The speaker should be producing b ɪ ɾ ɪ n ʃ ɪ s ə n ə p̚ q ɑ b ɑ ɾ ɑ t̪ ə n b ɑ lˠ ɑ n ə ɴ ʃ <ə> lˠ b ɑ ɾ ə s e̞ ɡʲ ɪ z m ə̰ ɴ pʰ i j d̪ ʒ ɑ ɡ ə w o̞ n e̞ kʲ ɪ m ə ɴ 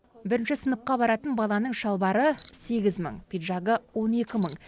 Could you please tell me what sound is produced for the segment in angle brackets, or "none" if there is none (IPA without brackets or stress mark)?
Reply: ɑ